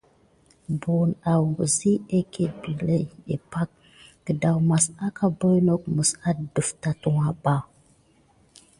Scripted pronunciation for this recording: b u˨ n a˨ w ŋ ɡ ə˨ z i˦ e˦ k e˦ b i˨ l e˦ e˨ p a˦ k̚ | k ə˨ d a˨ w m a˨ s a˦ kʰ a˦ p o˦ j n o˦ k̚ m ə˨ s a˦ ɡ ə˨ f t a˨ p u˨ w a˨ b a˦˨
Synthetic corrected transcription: b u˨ n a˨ w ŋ ɡ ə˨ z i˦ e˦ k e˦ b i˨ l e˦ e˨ p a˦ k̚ | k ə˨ d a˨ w m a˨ s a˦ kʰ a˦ b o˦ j n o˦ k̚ m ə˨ s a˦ d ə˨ f t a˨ t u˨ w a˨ b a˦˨